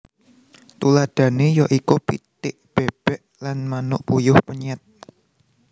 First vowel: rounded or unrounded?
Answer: rounded